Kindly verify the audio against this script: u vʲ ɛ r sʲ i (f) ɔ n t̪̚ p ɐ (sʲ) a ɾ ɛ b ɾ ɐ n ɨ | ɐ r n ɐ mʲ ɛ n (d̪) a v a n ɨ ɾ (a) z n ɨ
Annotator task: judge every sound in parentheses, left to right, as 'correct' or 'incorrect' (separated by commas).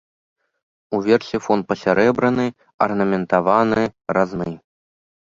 correct, correct, incorrect, correct